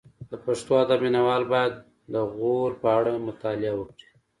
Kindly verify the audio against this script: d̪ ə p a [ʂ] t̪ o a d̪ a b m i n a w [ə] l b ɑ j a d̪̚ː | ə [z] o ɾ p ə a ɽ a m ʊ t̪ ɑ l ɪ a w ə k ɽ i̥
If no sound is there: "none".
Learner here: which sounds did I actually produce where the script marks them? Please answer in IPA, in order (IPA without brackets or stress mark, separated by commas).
ʂ, ɑ, ɣ